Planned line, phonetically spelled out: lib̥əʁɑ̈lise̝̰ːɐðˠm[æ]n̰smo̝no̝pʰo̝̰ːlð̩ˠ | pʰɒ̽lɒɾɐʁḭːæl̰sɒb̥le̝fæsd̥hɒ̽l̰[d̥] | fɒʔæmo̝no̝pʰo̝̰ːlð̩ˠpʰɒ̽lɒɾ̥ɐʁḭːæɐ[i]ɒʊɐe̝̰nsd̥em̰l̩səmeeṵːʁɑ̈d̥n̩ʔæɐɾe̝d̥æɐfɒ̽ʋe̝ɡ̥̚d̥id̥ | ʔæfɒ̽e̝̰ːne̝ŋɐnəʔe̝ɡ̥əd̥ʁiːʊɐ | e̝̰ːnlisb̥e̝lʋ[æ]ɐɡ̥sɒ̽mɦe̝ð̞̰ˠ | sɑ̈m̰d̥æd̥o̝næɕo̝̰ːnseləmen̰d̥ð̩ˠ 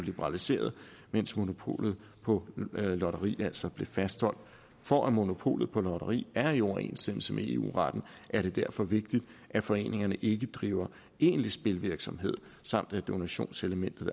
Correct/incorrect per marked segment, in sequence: incorrect: e, correct, correct, incorrect: i

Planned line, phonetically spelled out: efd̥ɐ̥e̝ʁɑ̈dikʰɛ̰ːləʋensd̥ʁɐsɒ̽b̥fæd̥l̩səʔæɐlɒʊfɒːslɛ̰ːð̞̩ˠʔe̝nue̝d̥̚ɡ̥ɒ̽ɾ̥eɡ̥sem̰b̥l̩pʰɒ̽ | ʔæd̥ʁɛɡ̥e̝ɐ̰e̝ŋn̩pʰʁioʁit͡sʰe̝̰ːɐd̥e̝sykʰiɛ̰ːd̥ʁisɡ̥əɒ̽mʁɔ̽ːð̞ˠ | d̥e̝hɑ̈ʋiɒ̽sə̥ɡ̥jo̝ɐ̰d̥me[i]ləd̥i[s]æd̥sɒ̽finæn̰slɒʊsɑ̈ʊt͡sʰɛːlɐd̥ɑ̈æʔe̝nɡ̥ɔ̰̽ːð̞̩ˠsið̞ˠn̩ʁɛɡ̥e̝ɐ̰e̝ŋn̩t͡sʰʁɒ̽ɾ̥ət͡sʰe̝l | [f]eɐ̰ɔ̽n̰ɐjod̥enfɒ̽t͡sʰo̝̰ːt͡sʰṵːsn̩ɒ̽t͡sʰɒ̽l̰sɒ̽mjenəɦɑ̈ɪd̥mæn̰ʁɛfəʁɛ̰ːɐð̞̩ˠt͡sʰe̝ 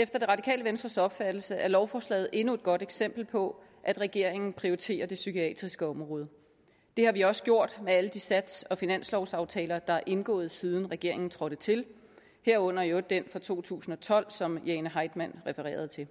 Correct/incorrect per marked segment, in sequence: incorrect: æ, correct, incorrect: h

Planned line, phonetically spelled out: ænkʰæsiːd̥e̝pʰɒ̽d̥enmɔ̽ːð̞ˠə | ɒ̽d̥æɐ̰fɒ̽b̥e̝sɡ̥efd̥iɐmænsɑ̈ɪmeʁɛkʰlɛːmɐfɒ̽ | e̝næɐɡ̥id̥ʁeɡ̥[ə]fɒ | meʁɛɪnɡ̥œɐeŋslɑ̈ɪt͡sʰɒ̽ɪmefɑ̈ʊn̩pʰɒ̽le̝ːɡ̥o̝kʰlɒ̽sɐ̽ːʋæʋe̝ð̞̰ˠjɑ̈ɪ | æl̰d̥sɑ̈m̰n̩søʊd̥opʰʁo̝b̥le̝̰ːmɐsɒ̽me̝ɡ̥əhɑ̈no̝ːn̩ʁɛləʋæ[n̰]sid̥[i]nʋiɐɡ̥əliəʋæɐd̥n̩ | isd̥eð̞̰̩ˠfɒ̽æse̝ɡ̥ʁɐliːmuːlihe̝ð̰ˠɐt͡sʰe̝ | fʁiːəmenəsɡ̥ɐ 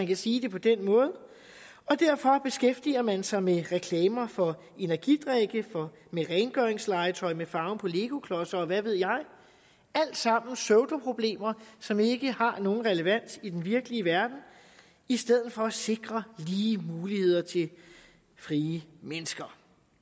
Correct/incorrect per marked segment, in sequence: correct, correct, incorrect: e

